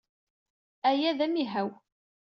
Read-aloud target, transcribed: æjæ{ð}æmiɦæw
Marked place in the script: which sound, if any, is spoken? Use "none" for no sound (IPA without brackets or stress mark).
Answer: ð